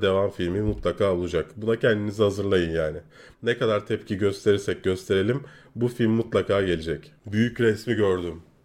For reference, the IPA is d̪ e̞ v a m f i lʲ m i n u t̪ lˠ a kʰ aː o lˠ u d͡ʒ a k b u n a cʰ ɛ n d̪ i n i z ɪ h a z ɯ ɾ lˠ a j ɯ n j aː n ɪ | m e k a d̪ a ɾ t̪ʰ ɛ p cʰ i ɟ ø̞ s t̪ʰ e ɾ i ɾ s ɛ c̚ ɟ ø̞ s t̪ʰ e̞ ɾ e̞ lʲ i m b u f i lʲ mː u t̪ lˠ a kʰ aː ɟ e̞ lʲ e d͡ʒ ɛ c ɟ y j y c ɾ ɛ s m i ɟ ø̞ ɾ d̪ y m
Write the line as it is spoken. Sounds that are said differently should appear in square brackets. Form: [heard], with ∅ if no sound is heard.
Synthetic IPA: d̪ e̞ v a m f i lʲ m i [m] u t̪ lˠ a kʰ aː o lˠ u d͡ʒ a k b u n a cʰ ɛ n d̪ i n i z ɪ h a z ɯ ɾ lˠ a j ɯ n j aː n ɪ | [n] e k a d̪ a ɾ t̪ʰ ɛ p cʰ i ɟ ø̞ s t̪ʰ e ɾ i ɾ s ɛ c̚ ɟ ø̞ s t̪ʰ e̞ ɾ e̞ lʲ i m b u f i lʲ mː u t̪ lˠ a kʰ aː ɟ e̞ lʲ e d͡ʒ ɛ c [b] y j y c ɾ ɛ s m i ɟ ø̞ ɾ d̪ y m